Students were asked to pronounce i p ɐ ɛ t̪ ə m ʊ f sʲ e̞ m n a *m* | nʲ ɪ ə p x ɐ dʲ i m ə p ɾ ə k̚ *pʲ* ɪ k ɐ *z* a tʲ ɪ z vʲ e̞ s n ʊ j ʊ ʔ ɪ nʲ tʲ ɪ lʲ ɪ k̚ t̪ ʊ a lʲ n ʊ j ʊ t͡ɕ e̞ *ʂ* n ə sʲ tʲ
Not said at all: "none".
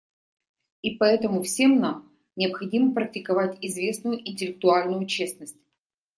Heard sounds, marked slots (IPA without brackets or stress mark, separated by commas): m, tʲ, v, s